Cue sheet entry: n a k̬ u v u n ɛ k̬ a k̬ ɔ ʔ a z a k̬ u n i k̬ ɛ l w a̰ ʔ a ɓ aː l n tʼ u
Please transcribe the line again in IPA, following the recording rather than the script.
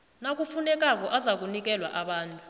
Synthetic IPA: n a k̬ u f u n ɛ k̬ a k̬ ɔ ʔ a z a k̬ u n i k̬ ɛ l w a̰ ʔ a ɓ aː n tʼ u